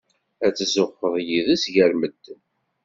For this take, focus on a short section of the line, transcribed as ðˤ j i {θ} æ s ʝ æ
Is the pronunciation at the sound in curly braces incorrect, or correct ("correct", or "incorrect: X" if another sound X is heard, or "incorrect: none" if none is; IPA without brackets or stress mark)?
incorrect: ð